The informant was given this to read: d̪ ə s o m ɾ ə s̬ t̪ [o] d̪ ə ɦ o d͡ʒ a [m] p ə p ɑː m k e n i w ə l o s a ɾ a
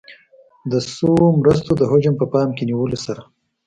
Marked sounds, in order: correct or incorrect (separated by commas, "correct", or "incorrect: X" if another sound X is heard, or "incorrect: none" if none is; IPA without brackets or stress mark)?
correct, correct